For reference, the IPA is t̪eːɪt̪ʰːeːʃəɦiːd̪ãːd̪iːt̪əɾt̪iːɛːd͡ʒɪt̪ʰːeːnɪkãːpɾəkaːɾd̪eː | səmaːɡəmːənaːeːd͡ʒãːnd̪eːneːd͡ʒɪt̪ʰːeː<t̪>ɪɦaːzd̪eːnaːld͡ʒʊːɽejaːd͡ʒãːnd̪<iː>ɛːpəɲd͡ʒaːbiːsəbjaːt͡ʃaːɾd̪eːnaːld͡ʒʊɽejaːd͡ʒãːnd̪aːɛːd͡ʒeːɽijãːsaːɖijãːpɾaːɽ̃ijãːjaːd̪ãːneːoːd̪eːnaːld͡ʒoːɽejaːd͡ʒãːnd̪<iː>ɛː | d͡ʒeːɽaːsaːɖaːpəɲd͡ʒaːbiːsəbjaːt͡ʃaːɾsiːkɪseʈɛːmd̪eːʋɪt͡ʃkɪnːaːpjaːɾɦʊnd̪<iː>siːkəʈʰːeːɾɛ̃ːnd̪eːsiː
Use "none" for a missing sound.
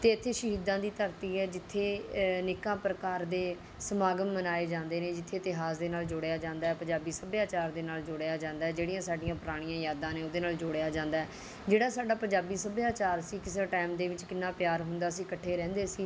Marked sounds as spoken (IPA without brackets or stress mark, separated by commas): t̪, aː, aː, aː